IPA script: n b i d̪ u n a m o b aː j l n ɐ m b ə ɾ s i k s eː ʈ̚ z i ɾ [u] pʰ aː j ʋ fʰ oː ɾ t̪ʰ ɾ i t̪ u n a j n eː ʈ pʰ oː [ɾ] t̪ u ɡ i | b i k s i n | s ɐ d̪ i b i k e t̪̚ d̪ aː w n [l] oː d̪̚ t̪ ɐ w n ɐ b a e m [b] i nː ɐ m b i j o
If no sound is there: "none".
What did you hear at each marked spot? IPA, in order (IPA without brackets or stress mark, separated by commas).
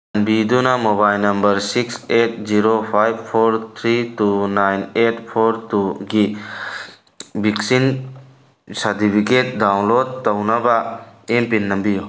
o, ɾ, l, p